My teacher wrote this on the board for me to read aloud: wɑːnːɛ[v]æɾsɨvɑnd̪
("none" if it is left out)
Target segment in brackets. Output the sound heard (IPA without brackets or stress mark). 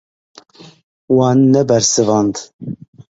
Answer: b